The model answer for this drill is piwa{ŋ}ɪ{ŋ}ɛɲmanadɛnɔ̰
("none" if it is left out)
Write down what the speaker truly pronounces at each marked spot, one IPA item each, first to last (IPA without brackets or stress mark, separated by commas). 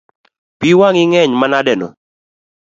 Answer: ŋ, ŋ